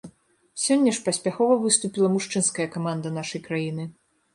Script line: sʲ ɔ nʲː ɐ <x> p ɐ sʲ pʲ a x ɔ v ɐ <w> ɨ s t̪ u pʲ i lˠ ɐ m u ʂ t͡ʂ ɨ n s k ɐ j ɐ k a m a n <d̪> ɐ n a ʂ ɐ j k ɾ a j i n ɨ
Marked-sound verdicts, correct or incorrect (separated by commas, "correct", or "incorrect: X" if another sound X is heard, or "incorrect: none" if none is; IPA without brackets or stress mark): incorrect: ʂ, incorrect: v, correct